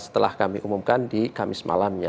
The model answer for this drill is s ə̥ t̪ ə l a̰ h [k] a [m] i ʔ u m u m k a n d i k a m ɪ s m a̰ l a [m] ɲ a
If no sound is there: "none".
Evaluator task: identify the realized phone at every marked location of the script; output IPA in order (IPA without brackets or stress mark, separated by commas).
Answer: k, m, m